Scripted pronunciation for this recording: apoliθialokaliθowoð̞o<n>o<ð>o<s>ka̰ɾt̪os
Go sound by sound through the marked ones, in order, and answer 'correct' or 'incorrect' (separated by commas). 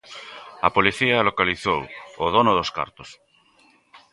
correct, correct, correct